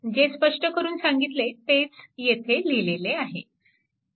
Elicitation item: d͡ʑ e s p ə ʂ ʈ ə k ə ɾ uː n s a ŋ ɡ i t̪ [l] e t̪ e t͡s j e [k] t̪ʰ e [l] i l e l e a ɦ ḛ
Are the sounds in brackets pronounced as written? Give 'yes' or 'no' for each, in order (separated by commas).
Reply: yes, no, yes